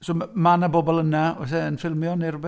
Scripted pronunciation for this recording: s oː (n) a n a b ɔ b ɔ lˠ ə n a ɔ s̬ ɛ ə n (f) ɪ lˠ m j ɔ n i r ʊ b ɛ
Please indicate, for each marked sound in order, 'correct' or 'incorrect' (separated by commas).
incorrect, correct